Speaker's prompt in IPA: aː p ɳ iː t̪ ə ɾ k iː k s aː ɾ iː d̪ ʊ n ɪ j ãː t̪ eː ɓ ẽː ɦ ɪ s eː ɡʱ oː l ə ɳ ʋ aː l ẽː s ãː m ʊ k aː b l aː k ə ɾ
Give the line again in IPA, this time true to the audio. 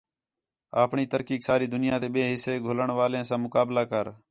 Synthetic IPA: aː p ɳ iː t̪ ə ɾ k iː k s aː ɾ iː d̪ ʊ n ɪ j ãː t̪ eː ɓ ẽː ɦ ɪ s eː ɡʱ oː l ə ɳ ʋ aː l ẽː s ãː m ʊ k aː b l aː k ə ɾ